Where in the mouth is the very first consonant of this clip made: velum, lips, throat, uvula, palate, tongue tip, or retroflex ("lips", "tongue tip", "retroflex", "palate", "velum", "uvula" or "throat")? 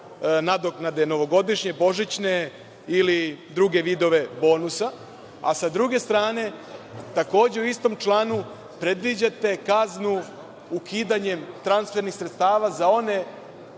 tongue tip